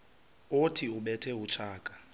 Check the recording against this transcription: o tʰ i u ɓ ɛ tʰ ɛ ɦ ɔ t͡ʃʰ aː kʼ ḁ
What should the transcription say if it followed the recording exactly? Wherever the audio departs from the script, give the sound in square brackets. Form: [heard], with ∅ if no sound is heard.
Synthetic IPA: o tʰ i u ɓ ɛ tʰ ɛ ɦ [u] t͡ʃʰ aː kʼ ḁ

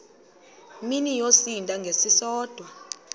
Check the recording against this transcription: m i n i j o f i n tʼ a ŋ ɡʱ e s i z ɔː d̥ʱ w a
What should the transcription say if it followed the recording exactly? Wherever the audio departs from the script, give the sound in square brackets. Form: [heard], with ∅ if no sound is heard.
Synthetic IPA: m i n i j o [s] i n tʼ a ŋ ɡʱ e s i [s] ɔː d̥ʱ w a

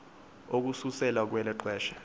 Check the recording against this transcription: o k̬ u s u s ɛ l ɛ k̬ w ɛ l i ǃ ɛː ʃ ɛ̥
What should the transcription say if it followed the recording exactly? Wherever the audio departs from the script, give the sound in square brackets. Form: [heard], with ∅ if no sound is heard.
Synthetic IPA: o k̬ u s u s ɛ l [a] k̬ w ɛ l [ɛ] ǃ ɛː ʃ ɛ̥

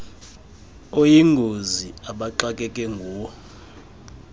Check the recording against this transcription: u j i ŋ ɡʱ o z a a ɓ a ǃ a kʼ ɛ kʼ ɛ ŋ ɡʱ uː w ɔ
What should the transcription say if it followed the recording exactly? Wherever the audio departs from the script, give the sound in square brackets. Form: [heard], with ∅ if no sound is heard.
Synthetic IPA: [o] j i ŋ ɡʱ o z [i] a ɓ a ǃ a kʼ ɛ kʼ ɛ ŋ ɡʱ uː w ɔ

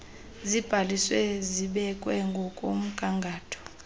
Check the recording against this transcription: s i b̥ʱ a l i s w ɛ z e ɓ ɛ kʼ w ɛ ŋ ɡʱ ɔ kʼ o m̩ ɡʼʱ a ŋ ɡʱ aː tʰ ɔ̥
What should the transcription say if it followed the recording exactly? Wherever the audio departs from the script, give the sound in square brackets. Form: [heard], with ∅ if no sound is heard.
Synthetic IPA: [z] i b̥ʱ a l i s w ɛ z [i] ɓ ɛ kʼ w ɛ ŋ ɡʱ ɔ kʼ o m̩ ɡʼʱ a ŋ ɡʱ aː tʰ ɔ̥

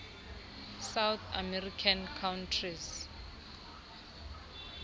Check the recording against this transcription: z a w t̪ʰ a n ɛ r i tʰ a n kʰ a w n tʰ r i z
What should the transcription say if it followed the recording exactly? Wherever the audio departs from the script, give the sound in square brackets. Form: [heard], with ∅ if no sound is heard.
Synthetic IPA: [s] a w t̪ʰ a [m] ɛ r i [kʰ] a n kʰ a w n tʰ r i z

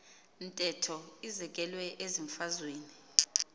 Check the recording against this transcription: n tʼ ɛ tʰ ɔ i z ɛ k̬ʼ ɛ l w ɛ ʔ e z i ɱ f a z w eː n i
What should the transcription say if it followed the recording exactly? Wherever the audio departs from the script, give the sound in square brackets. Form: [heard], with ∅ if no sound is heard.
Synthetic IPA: n tʼ ɛ tʰ ɔ i z ɛ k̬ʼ ɛ l w ɛ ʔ e z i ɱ f a z w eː n i

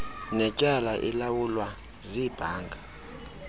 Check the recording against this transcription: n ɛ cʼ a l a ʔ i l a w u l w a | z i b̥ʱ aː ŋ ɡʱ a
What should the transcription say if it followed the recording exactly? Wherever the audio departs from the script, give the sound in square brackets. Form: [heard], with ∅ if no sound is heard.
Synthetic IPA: n ɛ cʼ a l a ʔ i l a w u l w a | z i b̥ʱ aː ŋ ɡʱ a

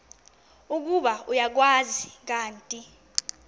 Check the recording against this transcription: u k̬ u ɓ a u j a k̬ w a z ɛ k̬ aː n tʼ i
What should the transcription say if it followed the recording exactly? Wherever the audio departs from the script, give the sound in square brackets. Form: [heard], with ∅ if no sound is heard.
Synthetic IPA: u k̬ u ɓ a u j a k̬ w a z [i] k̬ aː n tʼ i

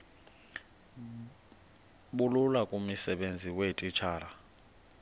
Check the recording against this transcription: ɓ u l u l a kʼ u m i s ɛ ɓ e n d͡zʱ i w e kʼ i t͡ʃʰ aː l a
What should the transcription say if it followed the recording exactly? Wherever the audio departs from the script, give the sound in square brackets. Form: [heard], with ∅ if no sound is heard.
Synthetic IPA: ɓ u l u l a kʼ u m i s ɛ ɓ e n d͡zʱ i w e [tʼ] i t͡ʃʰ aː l a

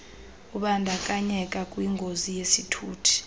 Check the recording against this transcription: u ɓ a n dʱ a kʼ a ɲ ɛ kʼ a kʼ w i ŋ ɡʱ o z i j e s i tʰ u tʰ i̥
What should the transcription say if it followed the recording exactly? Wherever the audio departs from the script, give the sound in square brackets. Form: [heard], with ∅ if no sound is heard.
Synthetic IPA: u ɓ a n dʱ a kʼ a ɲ ɛ kʼ a kʼ w i ŋ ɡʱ o z i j e s i tʰ [uː] tʰ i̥

